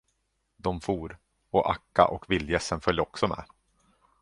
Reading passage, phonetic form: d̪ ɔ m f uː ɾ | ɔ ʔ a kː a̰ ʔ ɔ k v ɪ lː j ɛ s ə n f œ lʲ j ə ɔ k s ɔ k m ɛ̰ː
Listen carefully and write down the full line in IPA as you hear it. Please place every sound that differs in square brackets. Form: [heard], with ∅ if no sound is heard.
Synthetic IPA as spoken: d̪ ɔ m f uː ɾ | ɔ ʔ a kː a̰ ʔ ɔ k v ɪ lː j ɛ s ə n f œ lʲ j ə ɔ k s ɔ [∅] m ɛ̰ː